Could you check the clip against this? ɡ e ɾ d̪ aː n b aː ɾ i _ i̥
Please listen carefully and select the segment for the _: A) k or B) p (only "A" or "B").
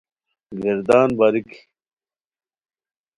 A